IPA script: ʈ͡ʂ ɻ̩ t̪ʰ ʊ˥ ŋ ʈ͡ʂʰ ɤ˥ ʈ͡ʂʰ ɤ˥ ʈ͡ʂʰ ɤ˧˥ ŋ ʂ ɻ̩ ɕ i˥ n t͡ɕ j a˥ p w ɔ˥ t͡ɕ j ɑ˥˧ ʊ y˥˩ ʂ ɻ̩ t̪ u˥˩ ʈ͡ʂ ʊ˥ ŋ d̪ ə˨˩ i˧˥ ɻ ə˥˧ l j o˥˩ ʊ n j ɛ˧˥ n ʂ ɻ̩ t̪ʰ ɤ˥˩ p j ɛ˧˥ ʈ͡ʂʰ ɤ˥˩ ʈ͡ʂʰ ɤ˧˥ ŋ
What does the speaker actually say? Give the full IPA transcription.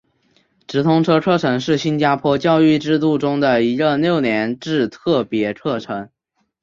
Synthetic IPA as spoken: ʈ͡ʂ ɻ̩ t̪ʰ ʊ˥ ŋ ʈ͡ʂʰ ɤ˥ ʈ͡ʂʰ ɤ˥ ʈ͡ʂʰ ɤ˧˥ ŋ ʂ ɻ̩ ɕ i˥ n t͡ɕ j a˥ pʰ w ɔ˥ t͡ɕ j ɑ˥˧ ʊ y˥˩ ʈ͡ʂ ɻ̩ t̪ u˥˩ ʈ͡ʂ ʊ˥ ŋ d̪ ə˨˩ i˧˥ ɻ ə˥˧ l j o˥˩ ʊ n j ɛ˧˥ n ʈ͡ʂ ɻ̩ t̪ʰ ɤ˥˩ p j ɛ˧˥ ʈ͡ʂʰ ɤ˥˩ ʈ͡ʂʰ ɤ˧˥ ŋ

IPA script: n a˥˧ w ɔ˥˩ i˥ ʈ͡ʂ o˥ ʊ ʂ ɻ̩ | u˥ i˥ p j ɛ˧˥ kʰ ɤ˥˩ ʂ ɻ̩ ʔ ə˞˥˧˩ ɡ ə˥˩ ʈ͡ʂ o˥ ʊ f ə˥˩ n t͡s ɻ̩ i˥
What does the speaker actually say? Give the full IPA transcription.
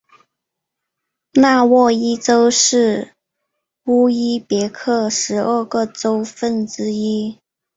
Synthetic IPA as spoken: n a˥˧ w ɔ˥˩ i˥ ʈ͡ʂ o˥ ʊ ʂ ɻ̩ | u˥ i˥ p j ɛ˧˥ kʰ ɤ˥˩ ʂ ɻ̩ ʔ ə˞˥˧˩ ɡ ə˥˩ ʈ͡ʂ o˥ ʊ f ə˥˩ n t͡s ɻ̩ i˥

